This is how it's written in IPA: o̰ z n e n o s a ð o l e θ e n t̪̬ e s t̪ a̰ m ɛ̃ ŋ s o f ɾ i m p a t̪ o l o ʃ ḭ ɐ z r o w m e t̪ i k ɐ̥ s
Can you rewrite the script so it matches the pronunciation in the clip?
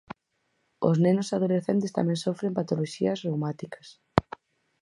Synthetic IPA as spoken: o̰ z n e n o s a ð o l e θ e n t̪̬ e s t̪ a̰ m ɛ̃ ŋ s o f ɾ e m p a t̪ o l o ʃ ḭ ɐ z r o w m a t̪ i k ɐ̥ s